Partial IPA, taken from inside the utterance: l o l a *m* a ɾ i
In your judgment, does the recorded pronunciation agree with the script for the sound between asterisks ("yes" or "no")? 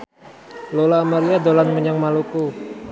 yes